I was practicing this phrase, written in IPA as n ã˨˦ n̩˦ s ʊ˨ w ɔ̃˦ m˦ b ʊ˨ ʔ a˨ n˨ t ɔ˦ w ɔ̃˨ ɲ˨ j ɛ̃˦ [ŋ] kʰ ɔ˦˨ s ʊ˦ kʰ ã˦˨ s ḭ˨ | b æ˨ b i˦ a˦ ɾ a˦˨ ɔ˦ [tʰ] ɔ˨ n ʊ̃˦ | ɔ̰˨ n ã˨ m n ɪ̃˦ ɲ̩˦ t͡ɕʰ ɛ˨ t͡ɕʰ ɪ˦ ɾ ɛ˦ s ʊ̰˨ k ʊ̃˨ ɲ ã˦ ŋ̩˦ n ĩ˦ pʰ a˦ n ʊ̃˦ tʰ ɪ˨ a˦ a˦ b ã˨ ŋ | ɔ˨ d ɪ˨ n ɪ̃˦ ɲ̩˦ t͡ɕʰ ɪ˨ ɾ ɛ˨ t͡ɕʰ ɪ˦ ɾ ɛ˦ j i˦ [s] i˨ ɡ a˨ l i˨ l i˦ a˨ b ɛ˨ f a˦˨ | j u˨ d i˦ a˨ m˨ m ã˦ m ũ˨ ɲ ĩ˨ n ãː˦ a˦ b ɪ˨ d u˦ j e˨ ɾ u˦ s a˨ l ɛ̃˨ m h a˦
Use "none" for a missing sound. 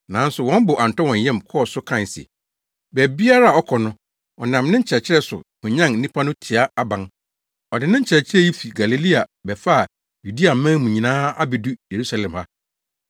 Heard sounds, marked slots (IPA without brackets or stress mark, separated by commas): m, kʰ, f